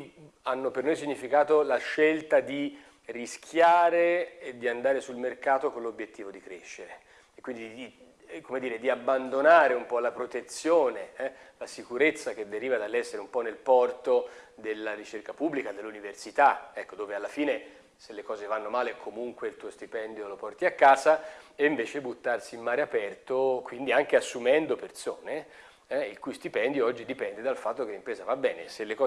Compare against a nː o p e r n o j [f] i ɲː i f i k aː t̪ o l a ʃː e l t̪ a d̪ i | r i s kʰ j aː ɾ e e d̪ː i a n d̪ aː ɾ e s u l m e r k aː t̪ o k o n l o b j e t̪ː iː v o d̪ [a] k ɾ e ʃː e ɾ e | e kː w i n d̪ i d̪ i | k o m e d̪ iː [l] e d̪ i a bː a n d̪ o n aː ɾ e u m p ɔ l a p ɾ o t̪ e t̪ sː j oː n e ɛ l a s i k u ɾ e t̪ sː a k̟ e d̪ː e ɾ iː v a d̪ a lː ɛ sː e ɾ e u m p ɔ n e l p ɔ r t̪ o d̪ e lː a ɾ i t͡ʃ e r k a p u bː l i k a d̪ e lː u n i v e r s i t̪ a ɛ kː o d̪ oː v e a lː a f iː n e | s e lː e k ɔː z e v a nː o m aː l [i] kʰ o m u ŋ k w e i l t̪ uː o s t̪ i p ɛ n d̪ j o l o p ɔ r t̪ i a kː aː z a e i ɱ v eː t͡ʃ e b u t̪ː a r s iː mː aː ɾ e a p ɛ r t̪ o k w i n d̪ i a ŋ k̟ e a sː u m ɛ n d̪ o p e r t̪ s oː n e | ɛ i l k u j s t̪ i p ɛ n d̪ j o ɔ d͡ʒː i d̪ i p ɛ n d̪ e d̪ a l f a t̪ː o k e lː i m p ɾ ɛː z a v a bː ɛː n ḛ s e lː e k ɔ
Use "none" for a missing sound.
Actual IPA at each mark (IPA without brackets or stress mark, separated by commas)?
s, i, ɾ, e